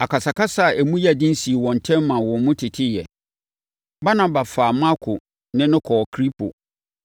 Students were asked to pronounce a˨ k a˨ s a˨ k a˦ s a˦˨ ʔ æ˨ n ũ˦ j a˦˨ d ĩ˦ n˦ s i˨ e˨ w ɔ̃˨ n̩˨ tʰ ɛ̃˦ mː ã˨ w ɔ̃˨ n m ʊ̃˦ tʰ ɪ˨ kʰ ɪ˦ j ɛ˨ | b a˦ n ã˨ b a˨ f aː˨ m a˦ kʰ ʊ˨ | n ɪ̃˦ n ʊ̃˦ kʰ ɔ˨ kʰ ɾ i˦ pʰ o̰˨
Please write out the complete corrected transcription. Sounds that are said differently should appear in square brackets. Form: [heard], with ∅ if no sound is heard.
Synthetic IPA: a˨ k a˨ s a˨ k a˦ s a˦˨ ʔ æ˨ [m] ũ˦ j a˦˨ d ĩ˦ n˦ s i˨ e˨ w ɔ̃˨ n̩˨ tʰ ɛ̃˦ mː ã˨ w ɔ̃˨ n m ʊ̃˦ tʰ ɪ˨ [tʰ] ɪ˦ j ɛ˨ | b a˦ n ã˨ b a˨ f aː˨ m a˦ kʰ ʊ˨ | n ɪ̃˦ n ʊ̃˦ kʰ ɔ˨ kʰ ɾ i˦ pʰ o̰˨